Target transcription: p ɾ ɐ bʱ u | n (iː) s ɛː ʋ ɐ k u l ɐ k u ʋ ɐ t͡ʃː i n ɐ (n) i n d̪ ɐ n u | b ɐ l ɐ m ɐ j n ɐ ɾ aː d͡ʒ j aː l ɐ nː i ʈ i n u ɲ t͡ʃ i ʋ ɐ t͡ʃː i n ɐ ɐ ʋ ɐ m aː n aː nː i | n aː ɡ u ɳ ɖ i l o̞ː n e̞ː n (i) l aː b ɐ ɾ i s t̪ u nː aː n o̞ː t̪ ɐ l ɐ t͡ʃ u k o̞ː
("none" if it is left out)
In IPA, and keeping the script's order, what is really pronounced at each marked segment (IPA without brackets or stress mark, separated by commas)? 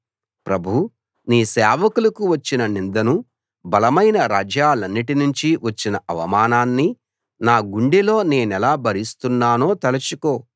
iː, n, ɛ